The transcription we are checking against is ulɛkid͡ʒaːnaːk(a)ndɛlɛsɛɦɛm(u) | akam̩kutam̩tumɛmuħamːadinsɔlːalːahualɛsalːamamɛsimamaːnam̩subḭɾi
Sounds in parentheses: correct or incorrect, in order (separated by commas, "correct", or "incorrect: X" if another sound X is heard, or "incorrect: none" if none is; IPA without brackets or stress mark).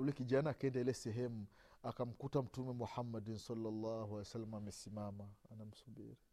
incorrect: ɛ, correct